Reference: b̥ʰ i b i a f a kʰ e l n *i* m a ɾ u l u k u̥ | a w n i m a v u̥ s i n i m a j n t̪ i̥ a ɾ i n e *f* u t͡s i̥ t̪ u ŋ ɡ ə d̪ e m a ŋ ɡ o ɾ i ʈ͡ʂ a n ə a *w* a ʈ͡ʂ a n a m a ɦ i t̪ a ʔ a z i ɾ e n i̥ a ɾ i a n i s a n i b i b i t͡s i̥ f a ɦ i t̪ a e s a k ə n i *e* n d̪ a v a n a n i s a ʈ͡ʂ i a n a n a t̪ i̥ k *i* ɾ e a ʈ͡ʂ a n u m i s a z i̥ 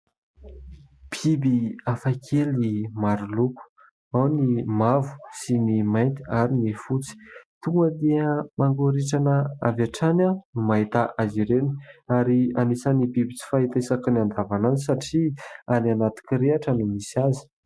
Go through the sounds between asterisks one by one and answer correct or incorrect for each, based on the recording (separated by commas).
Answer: correct, correct, incorrect, incorrect, correct